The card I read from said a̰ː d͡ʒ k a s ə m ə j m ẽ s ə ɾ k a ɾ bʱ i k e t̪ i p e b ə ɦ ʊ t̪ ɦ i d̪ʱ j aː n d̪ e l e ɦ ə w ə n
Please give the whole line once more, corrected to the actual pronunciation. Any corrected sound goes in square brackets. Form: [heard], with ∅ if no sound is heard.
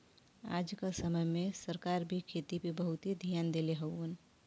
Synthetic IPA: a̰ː d͡ʒ k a s ə m ə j m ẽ s ə ɾ k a ɾ bʱ i [kʰ] e t̪ i p e b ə ɦ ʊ t̪ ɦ i d̪ʱ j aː n d̪ e l e ɦ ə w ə n